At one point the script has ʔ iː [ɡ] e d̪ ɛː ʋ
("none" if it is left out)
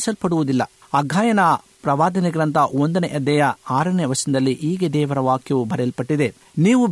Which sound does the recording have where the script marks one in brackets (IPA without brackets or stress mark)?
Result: ɡ